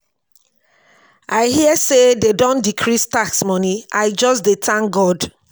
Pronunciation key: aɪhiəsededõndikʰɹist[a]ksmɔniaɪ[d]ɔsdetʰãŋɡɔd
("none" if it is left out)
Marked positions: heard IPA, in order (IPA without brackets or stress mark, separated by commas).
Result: a, d͡ʒ